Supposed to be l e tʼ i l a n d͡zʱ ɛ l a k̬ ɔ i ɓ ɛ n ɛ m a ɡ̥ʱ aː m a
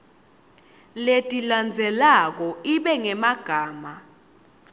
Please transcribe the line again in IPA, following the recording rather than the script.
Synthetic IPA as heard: l e tʼ i l a n d͡zʱ ɛ l a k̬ ɔ i ɓ ɛ ŋ ɛ m a ɡ̥ʱ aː m a